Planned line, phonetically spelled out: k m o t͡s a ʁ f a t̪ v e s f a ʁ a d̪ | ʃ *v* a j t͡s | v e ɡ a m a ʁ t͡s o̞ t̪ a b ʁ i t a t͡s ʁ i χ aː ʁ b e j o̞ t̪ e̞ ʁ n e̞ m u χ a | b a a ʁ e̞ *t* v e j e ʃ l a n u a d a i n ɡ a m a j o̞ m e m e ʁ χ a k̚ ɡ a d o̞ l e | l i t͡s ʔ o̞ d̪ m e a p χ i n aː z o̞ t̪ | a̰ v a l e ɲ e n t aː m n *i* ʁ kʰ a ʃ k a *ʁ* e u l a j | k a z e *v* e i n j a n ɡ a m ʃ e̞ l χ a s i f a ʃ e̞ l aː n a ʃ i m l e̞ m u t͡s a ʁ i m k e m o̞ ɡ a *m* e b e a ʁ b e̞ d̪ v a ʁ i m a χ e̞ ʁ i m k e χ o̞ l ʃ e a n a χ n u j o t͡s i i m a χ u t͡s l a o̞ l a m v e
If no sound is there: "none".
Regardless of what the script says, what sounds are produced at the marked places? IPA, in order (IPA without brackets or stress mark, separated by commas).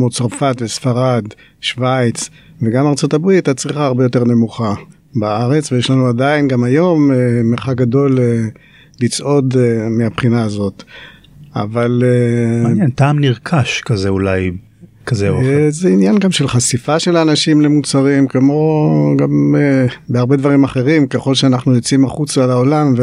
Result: v, t͡s, i, z, z, m